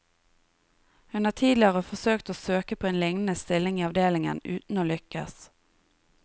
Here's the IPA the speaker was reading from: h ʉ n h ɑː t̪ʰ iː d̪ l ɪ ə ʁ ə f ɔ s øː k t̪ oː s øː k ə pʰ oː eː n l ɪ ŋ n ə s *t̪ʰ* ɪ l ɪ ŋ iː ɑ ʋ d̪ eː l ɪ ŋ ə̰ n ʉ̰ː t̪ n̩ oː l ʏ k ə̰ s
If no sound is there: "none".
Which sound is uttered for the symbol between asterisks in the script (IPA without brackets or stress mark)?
t̪